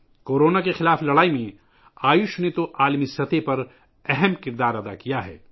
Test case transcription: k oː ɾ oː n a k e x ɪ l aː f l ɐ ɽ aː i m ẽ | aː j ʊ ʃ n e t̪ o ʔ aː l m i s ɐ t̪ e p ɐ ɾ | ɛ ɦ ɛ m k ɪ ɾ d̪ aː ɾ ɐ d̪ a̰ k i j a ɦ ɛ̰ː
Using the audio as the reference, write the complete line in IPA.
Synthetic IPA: k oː ɾ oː n a k e x ɪ l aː f l ɐ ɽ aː i m ẽ | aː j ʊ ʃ n e t̪ o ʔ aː l m i s ɐ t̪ e p ɐ ɾ | ɛ ɦ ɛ m k ɪ ɾ d̪ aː ɾ ɐ d̪ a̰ k i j a ɦ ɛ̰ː

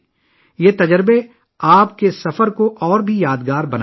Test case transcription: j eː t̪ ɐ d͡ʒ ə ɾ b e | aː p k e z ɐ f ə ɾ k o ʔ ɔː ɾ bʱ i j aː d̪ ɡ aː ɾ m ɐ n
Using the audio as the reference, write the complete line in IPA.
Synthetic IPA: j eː t̪ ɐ d͡ʒ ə ɾ b e | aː p k e s ɐ f ə ɾ k o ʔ ɔː ɾ bʱ i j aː d̪ ɡ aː ɾ b ɐ n

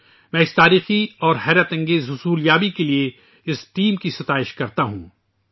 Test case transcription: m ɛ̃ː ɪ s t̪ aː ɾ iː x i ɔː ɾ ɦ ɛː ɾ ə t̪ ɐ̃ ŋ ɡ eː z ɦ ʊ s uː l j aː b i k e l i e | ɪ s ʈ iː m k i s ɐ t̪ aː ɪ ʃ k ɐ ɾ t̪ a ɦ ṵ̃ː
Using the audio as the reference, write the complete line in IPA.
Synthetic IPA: m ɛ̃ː ɪ s t̪ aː ɾ iː x i ɔː ɾ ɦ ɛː ɾ ə t̪ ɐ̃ ŋ ɡ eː z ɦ ʊ s uː l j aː b i k e l i e | ɪ s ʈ iː m k i s ɐ t̪ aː ɪ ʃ k ɐ ɾ t̪ a ɦ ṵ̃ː

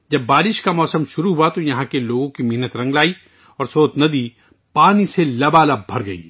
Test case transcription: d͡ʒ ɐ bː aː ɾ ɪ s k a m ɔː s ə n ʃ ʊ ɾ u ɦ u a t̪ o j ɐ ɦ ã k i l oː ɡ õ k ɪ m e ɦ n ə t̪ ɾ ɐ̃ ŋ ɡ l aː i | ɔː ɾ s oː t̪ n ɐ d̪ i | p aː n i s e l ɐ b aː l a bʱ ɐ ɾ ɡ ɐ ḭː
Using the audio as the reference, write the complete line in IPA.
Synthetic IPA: d͡ʒ ɐ bː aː ɾ ɪ ʃ k a m ɔː s ə m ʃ ʊ ɾ u ɦ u a t̪ o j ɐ ɦ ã k e l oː ɡ õ k i m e ɦ n ə t̪ ɾ ɐ̃ ŋ ɡ l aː i | ɔː ɾ s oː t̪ n ɐ d̪ i | p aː n i s e l ɐ b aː l a bʱ ɐ ɾ ɡ ɐ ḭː

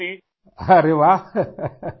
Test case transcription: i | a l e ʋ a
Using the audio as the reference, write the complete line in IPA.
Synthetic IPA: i | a ɾ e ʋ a

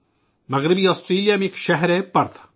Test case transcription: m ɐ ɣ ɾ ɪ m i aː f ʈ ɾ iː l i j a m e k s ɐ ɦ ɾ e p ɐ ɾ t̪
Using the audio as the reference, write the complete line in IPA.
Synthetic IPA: m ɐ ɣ ɾ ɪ b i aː s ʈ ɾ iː l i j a m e k ʃ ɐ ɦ ɾ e p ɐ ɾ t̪

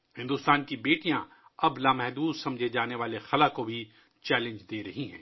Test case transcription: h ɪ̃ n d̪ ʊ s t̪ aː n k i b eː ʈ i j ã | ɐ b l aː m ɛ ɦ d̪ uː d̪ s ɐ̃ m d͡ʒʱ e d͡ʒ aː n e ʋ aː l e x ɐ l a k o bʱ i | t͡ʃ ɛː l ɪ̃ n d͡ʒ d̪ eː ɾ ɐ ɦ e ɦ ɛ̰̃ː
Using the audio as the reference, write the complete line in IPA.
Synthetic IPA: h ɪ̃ n d̪ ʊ s t̪ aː n k i b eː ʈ i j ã | ɐ b l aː m ɛ ɦ d̪ uː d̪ s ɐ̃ m d͡ʒʱ e d͡ʒ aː n e ʋ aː l e x ɐ l a k o bʱ i | t͡ʃ ɛː l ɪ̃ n d͡ʒ d̪ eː ɾ ɐ ɦ i ɦ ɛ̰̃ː

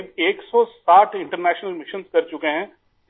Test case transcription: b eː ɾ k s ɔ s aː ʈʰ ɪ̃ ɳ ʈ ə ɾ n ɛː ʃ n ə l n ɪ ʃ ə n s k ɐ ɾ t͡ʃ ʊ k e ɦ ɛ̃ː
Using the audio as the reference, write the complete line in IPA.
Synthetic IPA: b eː k s ɔ s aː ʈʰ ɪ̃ ɳ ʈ ə ɾ n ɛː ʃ n ə l m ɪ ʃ ə n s k ɐ ɾ t͡ʃ ʊ k e ɦ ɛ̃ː

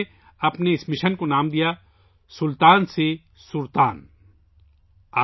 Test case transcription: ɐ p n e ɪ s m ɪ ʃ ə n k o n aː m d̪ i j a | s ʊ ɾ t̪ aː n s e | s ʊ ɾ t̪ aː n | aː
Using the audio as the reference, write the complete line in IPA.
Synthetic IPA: ɐ p n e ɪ s m ɪ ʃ ə n k o n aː m d̪ i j a | s ʊ l t̪ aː n s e | s ʊ ɾ t̪ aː n | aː

